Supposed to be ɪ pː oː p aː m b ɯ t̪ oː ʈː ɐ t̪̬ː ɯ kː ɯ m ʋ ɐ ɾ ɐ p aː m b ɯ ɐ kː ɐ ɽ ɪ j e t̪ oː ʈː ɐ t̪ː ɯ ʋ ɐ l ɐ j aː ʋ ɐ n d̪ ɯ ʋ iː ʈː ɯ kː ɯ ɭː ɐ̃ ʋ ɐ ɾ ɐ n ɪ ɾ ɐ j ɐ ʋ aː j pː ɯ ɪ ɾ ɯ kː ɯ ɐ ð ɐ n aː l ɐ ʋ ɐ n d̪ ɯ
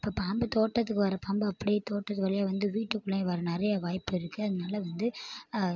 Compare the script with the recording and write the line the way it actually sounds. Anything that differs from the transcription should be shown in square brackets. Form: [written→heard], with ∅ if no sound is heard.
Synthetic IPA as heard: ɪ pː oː p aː m b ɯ t̪ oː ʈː ɐ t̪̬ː ɯ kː ɯ [m→∅] ʋ ɐ ɾ ɐ p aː m b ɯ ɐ [kː→pː] ɐ ɽ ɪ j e t̪ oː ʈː ɐ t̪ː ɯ ʋ ɐ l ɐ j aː ʋ ɐ n d̪ ɯ ʋ iː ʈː ɯ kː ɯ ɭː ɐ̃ ʋ ɐ ɾ ɐ n ɪ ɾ ɐ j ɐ ʋ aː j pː ɯ ɪ ɾ ɯ kː ɯ ɐ ð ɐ n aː l ɐ ʋ ɐ n d̪ ɯ